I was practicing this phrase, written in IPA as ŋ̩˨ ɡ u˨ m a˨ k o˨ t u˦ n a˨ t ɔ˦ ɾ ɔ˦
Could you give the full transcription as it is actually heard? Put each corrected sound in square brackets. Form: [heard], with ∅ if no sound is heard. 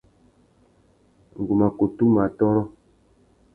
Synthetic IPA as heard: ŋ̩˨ ɡ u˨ m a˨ k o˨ t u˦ [m] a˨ t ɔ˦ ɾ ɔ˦